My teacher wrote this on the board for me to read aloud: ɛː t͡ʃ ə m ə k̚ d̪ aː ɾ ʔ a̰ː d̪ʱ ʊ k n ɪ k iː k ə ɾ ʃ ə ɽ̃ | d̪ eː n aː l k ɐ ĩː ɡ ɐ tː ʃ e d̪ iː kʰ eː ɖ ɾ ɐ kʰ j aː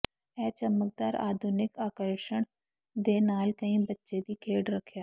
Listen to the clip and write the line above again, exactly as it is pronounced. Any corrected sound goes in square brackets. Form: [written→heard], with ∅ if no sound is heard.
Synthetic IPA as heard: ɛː t͡ʃ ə m ə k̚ d̪ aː ɾ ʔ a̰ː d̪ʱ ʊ [k→∅] n ɪ k [iː→aː] k ə ɾ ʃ ə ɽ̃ | d̪ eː n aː l k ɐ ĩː [ɡ→b] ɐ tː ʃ e d̪ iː kʰ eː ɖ ɾ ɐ kʰ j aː